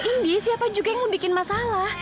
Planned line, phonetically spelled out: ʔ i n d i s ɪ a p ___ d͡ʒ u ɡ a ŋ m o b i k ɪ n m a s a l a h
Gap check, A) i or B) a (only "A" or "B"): B